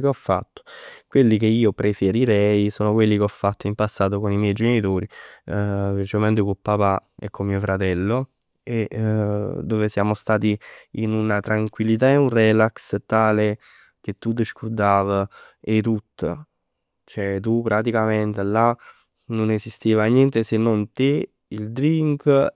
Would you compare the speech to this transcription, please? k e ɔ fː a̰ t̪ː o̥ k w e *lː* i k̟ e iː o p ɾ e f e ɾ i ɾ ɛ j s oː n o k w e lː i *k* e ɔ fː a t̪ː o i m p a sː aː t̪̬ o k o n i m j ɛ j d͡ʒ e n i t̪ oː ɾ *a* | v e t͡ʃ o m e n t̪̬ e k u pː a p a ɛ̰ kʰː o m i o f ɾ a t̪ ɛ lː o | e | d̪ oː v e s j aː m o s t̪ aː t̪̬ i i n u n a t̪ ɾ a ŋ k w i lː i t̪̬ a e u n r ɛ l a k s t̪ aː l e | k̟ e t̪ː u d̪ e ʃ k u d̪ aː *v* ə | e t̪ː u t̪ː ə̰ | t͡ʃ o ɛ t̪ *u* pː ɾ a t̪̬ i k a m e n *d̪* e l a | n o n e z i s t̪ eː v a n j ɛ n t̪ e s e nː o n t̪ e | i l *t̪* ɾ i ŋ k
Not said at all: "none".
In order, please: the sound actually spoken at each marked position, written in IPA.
lː, k, i, v, u, t̪, d̪

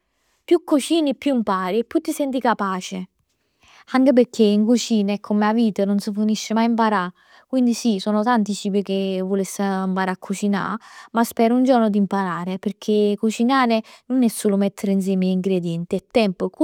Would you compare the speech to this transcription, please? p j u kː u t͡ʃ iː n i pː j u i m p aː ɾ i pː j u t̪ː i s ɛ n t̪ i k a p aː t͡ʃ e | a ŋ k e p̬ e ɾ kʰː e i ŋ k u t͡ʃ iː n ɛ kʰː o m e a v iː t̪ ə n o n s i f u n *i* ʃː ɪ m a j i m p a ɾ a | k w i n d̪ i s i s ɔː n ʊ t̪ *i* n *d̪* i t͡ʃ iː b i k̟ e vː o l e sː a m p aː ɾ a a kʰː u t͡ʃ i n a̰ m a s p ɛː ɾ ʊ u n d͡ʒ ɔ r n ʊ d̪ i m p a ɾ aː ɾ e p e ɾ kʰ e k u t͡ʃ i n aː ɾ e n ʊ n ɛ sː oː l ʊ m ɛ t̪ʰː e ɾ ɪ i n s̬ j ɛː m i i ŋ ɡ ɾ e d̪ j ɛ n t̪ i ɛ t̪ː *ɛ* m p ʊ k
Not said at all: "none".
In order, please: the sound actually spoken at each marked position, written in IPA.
i, a, t̪, ɛ

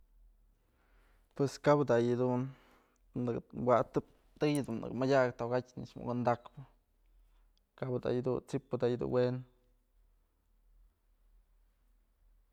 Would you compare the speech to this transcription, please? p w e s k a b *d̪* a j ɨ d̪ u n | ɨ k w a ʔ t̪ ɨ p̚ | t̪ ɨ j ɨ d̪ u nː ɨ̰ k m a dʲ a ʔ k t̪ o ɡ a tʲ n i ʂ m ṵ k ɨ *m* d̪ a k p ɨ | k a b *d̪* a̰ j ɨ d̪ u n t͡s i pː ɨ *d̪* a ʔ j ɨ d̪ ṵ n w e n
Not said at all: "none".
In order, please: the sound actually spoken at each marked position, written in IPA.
d̪, n, d̪, d̪

